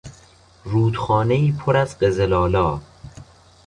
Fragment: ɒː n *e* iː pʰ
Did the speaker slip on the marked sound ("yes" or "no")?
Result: no